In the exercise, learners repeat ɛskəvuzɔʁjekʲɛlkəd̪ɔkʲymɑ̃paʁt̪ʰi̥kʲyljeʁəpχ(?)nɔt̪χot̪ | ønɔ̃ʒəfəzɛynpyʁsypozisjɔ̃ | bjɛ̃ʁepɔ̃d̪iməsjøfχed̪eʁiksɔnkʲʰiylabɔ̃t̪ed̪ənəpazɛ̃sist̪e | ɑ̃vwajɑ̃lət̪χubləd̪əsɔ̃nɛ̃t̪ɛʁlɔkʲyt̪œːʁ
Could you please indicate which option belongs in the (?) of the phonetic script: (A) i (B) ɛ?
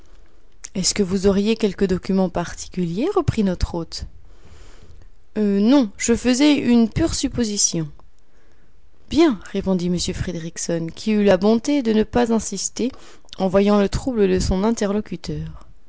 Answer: A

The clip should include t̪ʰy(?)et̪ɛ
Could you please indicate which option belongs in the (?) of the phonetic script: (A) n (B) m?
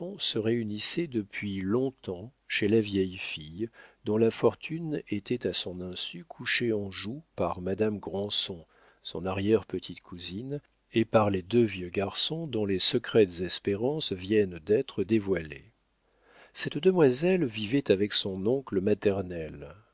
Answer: A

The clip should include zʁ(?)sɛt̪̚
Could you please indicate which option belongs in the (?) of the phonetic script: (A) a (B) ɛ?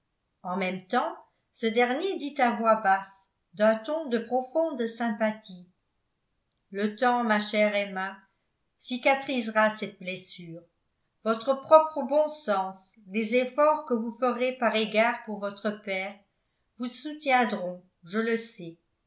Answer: A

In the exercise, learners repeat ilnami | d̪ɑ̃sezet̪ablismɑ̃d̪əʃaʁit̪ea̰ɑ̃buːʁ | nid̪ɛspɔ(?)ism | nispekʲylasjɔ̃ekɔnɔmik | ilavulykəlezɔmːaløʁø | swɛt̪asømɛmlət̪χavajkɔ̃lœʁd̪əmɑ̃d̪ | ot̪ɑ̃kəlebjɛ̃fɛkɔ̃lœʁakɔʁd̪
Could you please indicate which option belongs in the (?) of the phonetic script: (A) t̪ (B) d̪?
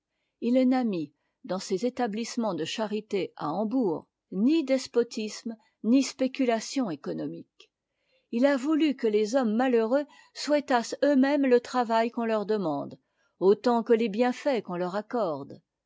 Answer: A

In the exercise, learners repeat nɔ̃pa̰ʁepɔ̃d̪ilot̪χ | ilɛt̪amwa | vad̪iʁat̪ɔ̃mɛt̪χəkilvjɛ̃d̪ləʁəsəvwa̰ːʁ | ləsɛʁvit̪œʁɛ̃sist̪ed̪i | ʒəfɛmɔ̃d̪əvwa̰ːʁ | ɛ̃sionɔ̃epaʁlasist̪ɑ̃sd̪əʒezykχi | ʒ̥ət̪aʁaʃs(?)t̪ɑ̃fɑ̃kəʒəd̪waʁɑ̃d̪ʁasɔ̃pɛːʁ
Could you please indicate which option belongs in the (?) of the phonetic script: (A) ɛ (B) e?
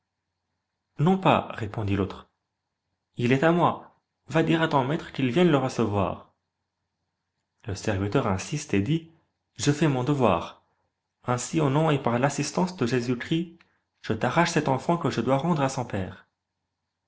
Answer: A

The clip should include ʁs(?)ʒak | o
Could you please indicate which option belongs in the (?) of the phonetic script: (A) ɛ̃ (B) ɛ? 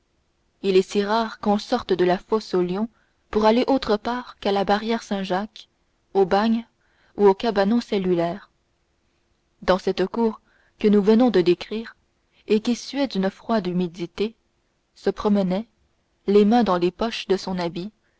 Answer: A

